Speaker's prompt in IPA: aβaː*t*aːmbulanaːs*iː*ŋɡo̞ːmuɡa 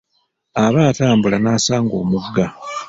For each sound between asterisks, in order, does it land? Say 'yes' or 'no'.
yes, no

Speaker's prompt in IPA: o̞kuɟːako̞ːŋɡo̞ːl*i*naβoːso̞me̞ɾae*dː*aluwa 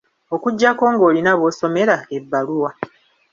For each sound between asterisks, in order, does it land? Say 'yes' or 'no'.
yes, no

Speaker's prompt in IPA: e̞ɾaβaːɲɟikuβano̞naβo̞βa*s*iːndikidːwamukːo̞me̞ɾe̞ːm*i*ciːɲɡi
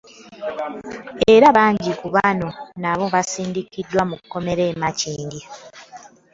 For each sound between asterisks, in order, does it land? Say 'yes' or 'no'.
yes, no

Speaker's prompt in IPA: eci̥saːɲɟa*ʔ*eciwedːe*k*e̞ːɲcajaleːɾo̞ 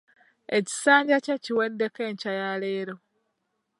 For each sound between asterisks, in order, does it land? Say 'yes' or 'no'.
no, yes

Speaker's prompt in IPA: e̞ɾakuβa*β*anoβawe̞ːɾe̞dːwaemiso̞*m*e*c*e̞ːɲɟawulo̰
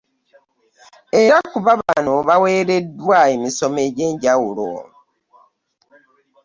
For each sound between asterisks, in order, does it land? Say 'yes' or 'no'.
yes, yes, no

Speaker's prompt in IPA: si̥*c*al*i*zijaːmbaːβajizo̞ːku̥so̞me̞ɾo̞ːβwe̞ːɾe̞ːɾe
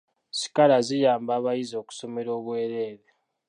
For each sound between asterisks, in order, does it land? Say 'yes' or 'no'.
no, no

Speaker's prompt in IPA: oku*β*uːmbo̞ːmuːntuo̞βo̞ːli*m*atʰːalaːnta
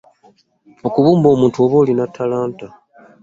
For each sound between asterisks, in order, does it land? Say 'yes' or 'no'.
yes, no

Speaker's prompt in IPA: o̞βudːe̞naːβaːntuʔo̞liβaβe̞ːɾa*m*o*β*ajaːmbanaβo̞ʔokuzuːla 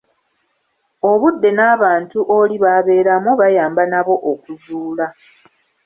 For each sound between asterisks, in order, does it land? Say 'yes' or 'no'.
yes, yes

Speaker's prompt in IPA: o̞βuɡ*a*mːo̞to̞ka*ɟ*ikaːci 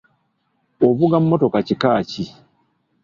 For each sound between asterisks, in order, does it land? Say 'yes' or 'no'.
yes, no

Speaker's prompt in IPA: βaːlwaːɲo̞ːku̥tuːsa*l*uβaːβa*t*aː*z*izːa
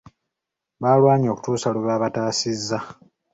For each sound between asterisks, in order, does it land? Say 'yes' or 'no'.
yes, yes, no

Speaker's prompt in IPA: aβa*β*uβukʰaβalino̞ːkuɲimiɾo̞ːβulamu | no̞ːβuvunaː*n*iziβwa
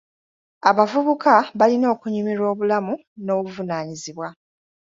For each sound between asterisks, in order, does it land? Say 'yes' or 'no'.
no, no

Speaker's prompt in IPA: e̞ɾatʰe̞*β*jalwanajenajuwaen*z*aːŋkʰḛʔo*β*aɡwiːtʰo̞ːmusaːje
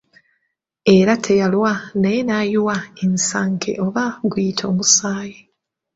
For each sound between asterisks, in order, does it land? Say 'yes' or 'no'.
no, no, yes

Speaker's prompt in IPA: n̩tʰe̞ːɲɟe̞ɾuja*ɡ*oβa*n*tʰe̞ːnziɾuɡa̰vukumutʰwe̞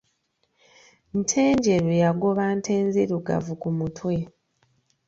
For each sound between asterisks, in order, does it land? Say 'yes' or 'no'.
yes, yes

